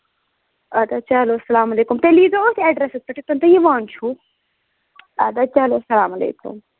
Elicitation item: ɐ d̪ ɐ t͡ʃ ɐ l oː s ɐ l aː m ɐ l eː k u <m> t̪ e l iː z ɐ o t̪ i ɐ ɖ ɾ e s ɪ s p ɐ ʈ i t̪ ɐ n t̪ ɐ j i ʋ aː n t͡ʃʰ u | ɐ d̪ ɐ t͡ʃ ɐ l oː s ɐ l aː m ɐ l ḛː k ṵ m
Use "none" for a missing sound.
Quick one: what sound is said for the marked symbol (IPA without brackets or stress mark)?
m